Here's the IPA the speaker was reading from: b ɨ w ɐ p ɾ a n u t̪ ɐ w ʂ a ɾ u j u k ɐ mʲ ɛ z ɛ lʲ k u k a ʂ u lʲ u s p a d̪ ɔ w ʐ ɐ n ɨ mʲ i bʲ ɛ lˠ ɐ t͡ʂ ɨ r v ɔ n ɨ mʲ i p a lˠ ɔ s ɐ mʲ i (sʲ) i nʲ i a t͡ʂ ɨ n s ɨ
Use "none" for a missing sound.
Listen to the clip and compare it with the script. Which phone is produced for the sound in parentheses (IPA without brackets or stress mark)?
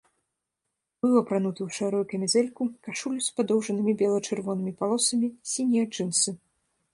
sʲ